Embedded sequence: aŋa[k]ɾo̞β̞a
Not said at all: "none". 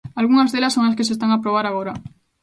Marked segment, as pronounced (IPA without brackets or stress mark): p